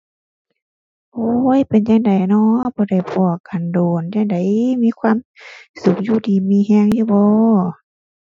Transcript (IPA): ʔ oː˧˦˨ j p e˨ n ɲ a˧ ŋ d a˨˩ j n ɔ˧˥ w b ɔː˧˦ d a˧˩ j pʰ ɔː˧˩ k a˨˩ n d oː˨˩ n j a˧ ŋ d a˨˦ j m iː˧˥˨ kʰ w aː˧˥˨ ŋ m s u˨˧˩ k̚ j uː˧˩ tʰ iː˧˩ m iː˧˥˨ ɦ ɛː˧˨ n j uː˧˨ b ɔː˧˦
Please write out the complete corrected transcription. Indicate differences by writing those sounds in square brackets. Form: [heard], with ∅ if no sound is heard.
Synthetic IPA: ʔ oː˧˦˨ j p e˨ n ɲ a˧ ŋ d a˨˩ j n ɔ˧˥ [∅] b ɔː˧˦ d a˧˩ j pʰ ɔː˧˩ k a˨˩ n d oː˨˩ n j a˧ ŋ d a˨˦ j m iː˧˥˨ kʰ w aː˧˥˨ [∅] m s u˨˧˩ k̚ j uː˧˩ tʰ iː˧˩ m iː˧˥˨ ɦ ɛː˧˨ [ŋ] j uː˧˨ b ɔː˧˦